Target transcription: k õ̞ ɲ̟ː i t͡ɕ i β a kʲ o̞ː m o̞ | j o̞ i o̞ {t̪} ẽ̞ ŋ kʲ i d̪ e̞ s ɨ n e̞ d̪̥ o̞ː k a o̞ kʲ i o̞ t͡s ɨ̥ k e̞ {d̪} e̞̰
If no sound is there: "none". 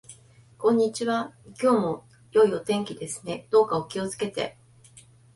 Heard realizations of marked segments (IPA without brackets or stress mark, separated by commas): t̪, t̪